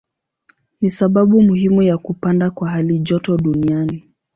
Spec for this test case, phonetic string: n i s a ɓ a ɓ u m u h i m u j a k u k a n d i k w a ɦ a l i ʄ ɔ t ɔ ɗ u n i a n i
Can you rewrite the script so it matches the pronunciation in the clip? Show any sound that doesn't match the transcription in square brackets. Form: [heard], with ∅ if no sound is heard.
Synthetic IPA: n i s a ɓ a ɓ u m u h i m u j a k u [p] a n d [a] k w a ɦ a l i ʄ ɔ t ɔ ɗ u n i a n i